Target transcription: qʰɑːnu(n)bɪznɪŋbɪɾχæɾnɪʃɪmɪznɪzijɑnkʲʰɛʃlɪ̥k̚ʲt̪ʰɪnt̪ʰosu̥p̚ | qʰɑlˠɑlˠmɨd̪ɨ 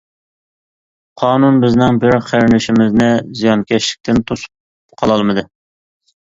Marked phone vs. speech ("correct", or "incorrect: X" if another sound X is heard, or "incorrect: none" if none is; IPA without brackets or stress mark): correct